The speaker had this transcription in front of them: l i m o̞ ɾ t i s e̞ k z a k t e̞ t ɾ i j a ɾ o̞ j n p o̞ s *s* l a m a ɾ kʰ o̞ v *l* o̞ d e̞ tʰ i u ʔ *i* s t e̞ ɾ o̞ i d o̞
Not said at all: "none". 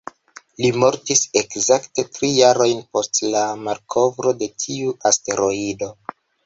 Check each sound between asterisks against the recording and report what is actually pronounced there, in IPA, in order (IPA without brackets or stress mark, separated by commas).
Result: t, ɾ, a